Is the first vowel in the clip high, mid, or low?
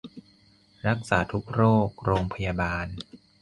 low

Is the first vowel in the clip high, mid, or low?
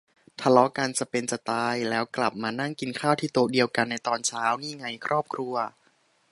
low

